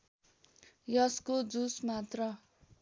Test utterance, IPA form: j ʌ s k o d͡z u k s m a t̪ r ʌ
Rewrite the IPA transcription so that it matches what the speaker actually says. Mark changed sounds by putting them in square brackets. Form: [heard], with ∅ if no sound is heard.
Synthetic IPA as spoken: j ʌ s k o d͡z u [∅] s m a t̪ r ʌ

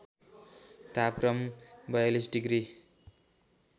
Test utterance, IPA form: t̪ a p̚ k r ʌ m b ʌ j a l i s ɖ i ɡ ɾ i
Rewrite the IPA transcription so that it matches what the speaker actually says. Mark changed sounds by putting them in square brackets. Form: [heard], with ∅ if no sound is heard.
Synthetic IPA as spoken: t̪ a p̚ k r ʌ m b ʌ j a l i s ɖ i ɡ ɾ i

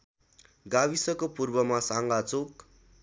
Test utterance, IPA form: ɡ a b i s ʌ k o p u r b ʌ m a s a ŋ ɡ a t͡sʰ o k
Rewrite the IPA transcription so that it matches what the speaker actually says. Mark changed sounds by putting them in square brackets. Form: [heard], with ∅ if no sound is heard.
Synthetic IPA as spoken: ɡ a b i s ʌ k o p u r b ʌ m a s a ŋ ɡ a [t͡s] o k

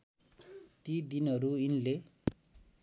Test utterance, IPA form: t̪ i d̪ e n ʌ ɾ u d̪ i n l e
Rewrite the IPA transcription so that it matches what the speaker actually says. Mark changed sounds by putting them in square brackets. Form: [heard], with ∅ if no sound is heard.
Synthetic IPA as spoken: t̪ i d̪ [i] n ʌ ɾ u [∅] i n l e

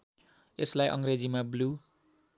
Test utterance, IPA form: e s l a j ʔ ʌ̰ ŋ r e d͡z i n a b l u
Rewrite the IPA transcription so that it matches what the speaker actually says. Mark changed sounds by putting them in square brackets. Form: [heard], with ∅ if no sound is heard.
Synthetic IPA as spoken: e s l a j ʔ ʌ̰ ŋ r e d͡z i [m] a b l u

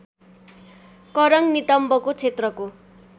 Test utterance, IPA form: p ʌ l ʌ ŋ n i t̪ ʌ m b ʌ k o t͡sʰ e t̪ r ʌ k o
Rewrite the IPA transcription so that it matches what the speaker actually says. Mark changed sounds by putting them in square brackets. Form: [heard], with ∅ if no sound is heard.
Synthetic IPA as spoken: [k] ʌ [ɾ] ʌ ŋ n i t̪ ʌ m b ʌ k o t͡sʰ e t̪ r ʌ k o

